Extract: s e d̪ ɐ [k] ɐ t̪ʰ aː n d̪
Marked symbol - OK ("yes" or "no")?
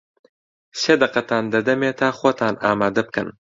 no